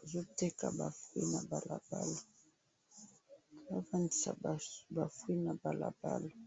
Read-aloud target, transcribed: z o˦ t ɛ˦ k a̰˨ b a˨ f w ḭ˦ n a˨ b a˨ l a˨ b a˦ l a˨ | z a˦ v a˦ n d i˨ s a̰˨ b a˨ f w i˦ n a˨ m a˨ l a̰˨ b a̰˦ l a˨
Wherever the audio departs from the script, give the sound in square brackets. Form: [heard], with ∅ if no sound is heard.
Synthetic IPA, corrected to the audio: z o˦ t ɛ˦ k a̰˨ b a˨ f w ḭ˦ n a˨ b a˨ l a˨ b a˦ l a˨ | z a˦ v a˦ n d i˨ s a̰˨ b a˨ f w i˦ n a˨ [b] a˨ l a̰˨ b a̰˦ l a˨